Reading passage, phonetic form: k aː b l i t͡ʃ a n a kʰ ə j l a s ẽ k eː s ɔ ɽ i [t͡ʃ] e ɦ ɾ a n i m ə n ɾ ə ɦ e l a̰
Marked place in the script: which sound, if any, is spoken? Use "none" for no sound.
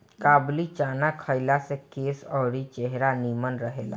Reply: t͡ʃ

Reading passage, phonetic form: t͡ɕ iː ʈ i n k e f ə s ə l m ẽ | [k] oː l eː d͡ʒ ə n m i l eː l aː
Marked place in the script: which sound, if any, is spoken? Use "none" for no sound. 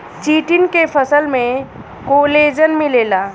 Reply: k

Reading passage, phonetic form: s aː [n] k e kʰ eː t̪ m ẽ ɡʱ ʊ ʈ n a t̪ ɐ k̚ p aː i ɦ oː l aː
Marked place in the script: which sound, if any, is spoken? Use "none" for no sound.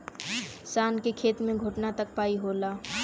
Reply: n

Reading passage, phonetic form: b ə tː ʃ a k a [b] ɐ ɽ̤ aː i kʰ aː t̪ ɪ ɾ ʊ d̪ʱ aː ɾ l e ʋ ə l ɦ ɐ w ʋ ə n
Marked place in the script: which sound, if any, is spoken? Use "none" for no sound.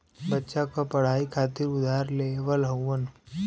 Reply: p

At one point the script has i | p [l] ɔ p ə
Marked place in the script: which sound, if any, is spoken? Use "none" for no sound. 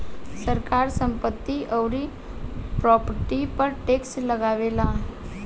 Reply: ɾ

